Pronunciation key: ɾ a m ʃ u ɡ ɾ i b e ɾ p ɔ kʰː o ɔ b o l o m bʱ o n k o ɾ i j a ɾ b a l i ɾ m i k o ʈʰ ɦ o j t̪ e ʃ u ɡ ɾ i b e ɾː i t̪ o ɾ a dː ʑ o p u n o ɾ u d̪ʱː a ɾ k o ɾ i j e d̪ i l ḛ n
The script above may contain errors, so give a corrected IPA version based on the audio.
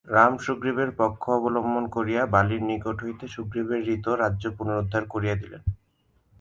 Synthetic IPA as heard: ɾ a m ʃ u ɡ ɾ i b e ɾ p ɔ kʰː o ɔ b o l o m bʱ o n k o ɾ i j a b a l i ɾ n i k o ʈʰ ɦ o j t̪ e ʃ u ɡ ɾ i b e ɾː i t̪ o ɾ a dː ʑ o p u n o ɾ u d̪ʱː a ɾ k o ɾ i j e d̪ i l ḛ n